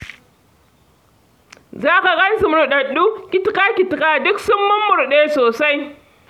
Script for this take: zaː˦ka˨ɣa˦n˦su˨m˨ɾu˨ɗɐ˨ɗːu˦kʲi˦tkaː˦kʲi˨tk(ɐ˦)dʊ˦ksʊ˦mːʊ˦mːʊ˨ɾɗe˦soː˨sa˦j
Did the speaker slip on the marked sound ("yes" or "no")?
yes